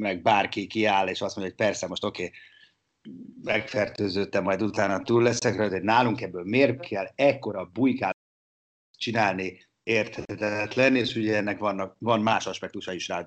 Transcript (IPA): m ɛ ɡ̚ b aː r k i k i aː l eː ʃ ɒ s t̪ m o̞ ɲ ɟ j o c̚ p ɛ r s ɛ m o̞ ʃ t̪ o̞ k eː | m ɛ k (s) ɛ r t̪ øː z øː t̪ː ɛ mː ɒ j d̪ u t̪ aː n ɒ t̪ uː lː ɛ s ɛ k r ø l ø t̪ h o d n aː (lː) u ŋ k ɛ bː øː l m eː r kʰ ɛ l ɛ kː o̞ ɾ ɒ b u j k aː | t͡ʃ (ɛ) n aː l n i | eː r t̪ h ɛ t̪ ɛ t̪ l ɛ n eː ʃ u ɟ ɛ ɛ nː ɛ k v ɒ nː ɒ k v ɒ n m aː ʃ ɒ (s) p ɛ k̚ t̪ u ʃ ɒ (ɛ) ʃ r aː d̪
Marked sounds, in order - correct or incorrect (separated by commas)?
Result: incorrect, incorrect, incorrect, incorrect, incorrect